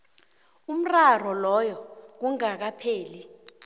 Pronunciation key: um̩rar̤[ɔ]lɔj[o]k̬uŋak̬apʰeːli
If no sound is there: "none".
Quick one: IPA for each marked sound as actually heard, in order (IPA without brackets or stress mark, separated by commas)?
ɔ, ɔ